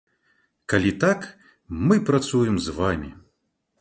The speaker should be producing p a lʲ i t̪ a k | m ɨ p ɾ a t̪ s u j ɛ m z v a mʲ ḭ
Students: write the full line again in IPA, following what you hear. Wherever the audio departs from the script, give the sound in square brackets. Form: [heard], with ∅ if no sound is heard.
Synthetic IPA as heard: [k] a lʲ i t̪ a k | m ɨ p ɾ a t̪ s u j ɛ m z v a mʲ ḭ